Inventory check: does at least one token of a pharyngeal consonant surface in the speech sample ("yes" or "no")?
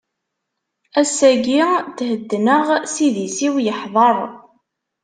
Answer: yes